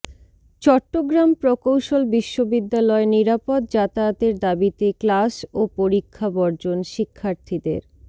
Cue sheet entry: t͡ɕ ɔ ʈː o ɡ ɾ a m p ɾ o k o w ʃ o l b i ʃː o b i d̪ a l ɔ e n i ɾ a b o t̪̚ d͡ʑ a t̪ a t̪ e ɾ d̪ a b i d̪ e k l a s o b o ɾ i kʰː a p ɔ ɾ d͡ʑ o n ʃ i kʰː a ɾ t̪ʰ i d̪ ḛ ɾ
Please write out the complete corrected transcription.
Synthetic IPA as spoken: t͡ɕ ɔ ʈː o ɡ ɾ a m p ɾ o k o w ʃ o l b i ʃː o b i d̪ː a l ɔ e n i ɾ a p o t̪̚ d͡ʑ a t̪ a t̪ e ɾ d̪ a b i t̪ e k l a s o p o ɾ i kʰː a b ɔ ɾ d͡ʑ o n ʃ i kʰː a ɾ t̪ʰ i d̪ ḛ ɾ